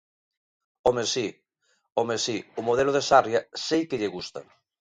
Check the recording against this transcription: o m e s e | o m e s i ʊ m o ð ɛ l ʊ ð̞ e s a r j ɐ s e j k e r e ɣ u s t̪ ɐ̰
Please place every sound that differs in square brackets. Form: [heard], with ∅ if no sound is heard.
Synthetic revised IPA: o m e s [i] | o m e s i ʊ m o ð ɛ l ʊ ð̞ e s a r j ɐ s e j k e [ʎ] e ɣ u s t̪ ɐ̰